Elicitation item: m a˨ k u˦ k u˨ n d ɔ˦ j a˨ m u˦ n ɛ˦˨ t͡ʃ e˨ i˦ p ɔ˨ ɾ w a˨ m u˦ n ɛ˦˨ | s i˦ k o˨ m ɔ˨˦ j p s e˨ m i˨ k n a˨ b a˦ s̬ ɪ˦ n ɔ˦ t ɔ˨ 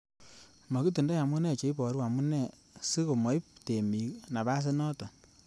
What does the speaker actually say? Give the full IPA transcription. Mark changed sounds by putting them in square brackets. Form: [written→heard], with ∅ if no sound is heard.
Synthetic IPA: m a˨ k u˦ [k→t] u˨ n d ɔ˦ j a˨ m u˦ n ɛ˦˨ t͡ʃ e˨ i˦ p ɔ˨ ɾ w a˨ m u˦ n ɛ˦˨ | s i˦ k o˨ m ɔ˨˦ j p [s→t] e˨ m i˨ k n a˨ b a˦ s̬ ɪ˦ n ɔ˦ t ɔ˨